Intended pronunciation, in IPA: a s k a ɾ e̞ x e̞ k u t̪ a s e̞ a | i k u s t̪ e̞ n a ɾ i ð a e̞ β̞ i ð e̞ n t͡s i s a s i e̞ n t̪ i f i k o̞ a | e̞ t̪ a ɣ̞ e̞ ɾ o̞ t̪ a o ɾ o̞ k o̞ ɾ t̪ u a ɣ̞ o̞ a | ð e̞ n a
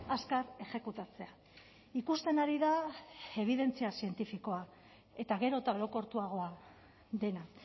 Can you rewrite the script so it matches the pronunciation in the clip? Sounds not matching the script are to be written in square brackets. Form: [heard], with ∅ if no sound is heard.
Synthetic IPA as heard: a s k a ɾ e̞ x e̞ k u t̪ a [t͡s] e̞ a | i k u s t̪ e̞ n a ɾ i ð a e̞ β̞ i ð e̞ n t͡s i [∅] a s i e̞ n t̪ i f i k o̞ a | e̞ t̪ a ɣ̞ e̞ ɾ o̞ t̪ a o ɾ o̞ k o̞ ɾ t̪ u a ɣ̞ o̞ a | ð e̞ n a